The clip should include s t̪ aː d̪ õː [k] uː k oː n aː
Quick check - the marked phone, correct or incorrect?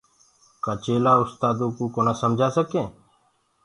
correct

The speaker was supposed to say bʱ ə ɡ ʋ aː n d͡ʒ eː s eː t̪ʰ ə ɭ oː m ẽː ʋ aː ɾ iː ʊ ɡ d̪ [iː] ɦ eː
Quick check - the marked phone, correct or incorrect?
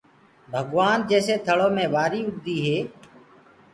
correct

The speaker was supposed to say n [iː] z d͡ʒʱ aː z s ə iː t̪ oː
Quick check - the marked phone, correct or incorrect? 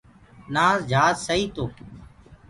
incorrect: aː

